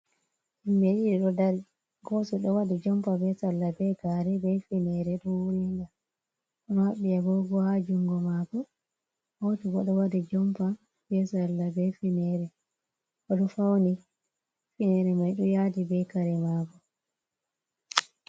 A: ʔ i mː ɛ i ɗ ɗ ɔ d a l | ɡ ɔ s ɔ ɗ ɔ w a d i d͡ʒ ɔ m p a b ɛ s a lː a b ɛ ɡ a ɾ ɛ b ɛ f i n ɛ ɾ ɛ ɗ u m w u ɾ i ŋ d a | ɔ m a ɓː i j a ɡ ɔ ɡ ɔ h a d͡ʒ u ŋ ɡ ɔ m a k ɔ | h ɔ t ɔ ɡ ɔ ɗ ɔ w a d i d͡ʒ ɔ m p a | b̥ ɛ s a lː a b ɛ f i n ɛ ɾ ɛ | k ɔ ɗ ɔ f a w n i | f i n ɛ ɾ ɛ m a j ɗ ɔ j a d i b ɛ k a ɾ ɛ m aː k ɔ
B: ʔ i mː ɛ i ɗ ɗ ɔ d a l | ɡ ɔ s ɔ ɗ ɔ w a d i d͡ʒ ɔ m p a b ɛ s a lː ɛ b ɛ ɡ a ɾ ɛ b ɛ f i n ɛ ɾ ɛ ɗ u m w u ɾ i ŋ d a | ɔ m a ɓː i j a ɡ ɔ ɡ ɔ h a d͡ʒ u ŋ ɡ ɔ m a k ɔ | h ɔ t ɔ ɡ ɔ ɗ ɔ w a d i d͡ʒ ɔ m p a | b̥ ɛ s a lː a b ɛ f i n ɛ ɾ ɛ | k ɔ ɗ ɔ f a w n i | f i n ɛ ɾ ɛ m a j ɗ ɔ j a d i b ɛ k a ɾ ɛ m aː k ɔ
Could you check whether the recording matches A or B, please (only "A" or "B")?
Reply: A